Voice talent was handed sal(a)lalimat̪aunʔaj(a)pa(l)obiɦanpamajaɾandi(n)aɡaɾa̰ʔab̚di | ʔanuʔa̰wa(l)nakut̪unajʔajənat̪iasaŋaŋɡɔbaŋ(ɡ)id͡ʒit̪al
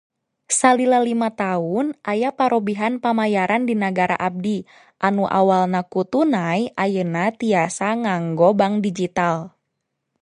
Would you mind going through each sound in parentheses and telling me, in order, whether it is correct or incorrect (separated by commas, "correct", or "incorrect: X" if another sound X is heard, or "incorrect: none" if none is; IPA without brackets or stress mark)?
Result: incorrect: i, correct, incorrect: ɾ, correct, correct, incorrect: d